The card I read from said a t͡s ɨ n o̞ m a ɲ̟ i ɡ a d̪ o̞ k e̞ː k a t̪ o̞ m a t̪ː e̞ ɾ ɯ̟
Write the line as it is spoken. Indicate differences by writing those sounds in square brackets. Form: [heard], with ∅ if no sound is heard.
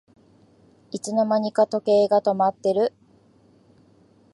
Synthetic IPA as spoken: [i] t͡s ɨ n o̞ m a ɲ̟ i [k] a [t̪] o̞ k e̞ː [ɡ] a t̪ o̞ m a t̪ː e̞ ɾ ɯ̟